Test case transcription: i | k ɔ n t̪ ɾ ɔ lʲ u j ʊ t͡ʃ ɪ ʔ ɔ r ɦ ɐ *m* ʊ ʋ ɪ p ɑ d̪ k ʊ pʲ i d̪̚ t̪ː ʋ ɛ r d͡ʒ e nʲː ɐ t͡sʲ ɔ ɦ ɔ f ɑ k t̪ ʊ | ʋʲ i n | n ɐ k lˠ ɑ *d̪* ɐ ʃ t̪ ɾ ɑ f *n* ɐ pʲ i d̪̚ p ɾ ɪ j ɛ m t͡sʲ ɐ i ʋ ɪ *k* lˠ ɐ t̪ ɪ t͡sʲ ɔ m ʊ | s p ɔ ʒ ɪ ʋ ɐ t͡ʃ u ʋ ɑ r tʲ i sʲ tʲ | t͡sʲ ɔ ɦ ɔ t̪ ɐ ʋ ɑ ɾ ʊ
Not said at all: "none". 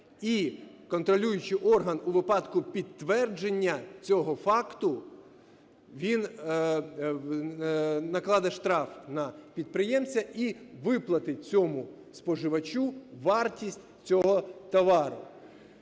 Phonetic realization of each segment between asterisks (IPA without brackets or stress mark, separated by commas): n, d̪, n, p